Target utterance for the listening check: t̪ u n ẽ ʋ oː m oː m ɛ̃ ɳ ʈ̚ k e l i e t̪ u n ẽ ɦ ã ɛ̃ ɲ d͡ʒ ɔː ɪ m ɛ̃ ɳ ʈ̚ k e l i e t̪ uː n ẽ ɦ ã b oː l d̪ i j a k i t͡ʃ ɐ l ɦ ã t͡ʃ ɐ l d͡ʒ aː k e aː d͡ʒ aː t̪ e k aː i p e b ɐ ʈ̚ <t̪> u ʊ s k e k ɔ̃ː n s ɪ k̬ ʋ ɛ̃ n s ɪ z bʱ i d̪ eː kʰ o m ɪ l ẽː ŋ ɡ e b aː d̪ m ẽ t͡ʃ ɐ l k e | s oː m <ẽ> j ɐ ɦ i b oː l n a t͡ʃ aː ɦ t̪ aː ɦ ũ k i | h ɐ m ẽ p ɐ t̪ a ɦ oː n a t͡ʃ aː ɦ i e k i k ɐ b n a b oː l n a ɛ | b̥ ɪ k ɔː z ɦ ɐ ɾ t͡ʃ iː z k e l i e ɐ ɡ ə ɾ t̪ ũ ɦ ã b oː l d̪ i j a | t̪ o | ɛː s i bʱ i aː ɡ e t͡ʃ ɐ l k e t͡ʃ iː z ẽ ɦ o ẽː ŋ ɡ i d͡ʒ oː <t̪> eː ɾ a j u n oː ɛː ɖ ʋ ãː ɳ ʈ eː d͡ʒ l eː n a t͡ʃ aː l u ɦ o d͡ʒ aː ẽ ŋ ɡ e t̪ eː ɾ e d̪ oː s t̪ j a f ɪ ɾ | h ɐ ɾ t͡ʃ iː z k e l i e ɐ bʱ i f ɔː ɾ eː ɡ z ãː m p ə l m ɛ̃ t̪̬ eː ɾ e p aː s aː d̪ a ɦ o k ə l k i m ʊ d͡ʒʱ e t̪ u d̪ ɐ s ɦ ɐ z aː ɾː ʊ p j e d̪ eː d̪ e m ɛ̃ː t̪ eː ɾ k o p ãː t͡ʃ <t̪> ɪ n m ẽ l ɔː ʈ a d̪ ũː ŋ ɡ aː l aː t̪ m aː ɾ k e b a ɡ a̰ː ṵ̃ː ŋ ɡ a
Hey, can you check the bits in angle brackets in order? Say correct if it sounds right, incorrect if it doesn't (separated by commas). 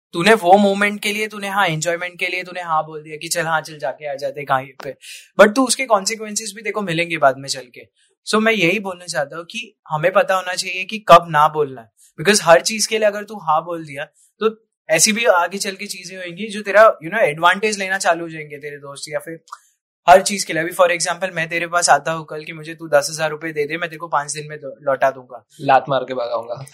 correct, incorrect, correct, incorrect